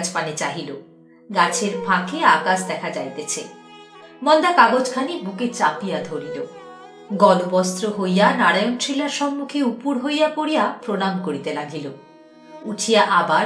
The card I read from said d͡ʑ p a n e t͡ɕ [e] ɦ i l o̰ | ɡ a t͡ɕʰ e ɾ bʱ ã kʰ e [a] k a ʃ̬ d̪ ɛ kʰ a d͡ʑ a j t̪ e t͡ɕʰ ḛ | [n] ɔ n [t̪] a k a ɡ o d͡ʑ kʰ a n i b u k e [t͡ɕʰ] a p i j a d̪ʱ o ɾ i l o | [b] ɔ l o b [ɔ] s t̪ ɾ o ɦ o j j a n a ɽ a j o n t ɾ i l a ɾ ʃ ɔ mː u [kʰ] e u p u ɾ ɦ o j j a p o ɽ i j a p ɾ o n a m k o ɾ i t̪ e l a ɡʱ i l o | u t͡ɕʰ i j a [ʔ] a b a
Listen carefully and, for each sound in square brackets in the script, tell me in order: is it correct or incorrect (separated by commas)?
incorrect, correct, incorrect, incorrect, incorrect, incorrect, correct, correct, correct